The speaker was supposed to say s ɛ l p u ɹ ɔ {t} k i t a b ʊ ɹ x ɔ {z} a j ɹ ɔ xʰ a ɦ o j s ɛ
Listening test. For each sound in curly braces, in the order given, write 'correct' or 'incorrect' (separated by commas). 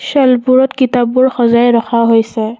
correct, correct